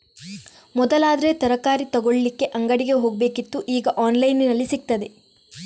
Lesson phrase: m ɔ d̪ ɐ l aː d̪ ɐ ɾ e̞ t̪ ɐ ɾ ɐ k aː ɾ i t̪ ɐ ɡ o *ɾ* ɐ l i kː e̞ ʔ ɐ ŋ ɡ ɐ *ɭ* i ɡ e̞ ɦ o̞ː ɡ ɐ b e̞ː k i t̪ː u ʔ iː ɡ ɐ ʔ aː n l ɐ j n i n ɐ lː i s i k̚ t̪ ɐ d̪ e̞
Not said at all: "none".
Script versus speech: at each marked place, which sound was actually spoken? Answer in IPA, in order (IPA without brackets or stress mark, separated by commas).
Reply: ɭ, ɽ